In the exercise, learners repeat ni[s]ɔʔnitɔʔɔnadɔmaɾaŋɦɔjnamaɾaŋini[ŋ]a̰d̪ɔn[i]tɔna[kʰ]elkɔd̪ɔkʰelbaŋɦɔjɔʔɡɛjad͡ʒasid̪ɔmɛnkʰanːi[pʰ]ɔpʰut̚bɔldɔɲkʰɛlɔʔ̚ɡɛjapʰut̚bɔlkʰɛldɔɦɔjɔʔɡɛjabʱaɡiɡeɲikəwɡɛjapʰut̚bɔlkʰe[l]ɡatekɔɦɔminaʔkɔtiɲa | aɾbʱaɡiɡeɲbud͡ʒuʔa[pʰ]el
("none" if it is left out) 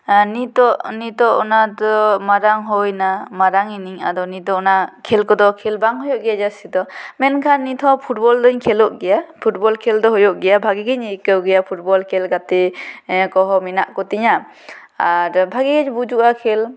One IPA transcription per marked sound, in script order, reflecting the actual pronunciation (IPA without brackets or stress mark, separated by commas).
t, ŋ, i, kʰ, tʰ, l, kʰ